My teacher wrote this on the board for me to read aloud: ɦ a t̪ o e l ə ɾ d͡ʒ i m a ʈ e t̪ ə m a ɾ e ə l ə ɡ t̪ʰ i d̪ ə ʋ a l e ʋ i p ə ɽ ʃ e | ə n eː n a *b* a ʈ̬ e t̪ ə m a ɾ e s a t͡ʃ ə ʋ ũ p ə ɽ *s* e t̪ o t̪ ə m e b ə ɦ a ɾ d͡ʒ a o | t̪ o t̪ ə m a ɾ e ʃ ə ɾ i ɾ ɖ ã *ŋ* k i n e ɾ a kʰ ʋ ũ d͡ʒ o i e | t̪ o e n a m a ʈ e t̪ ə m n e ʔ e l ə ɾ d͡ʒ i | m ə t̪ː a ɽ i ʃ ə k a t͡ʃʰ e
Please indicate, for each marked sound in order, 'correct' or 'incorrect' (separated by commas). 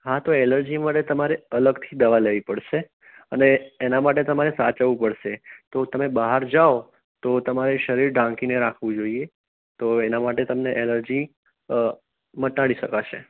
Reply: incorrect, incorrect, correct